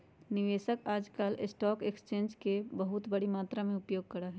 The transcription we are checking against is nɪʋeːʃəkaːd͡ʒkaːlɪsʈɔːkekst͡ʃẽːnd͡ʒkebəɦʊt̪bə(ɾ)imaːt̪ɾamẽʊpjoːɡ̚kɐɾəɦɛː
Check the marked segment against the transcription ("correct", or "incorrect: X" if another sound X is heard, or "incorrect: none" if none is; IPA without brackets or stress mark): incorrect: ɽ